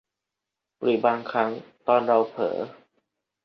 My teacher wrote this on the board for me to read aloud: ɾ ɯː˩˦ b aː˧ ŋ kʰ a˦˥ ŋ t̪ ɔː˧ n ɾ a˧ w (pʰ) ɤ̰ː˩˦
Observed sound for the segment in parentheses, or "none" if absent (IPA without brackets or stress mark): pʰ